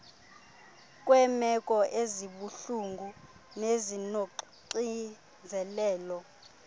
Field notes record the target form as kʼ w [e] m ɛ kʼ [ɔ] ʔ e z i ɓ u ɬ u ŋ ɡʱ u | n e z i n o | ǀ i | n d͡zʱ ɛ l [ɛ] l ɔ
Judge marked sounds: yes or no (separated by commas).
no, yes, no